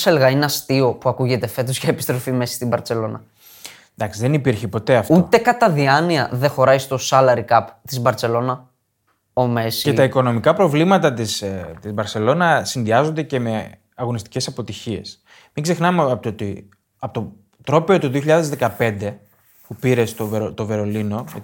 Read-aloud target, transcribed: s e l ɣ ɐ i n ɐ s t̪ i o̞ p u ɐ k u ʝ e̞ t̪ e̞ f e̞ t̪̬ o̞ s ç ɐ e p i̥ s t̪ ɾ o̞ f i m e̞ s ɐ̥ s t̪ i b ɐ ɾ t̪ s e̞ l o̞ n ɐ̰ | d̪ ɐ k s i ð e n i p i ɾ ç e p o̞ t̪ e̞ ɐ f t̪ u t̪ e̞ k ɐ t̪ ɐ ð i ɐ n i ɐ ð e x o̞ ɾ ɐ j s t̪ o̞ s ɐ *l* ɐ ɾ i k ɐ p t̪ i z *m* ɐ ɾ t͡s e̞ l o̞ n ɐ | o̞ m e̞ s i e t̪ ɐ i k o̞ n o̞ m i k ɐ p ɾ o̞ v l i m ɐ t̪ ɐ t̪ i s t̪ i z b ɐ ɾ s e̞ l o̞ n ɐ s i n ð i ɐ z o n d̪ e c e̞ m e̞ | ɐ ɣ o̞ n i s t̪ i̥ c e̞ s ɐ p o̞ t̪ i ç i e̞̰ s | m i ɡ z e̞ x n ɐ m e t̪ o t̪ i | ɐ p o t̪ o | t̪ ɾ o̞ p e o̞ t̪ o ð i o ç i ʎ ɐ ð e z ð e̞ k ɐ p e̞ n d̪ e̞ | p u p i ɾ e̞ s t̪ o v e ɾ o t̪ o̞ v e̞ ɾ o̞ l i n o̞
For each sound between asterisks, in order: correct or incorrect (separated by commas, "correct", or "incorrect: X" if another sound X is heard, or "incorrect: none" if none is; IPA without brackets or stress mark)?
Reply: correct, incorrect: b